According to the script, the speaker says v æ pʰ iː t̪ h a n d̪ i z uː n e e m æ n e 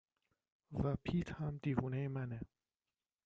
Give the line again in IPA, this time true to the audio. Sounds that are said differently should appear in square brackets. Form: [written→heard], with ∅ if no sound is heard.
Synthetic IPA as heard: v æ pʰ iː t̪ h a [n→m] d̪ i [z→v] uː n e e m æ n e